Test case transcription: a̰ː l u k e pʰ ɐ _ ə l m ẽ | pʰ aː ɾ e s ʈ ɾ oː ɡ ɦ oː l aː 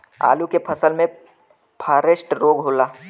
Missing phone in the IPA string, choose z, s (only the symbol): s